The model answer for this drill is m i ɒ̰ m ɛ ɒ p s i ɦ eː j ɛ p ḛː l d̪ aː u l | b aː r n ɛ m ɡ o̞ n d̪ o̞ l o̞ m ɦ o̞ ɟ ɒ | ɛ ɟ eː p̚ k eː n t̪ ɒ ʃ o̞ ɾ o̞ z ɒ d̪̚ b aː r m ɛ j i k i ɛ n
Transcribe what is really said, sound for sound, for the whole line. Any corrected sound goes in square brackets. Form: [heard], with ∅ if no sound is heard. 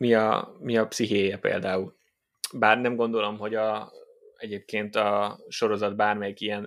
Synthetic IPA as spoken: m i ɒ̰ m [i] ɒ p s i ɦ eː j ɛ p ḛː l d̪ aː u l | b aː r n ɛ m ɡ o̞ n d̪ o̞ l o̞ m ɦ o̞ ɟ ɒ | ɛ ɟ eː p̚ k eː n t̪ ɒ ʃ o̞ ɾ o̞ z ɒ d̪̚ b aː r m ɛ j i k i ɛ n